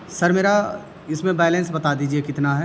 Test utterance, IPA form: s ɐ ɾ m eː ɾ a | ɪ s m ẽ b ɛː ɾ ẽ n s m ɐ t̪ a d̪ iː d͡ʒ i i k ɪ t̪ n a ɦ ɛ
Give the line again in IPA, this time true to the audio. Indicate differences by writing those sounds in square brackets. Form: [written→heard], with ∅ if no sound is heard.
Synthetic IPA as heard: s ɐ ɾ m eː ɾ a | ɪ s m ẽ b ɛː [ɾ→l] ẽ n s [m→b] ɐ t̪ a d̪ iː d͡ʒ i [i→e] k ɪ t̪ n a ɦ ɛ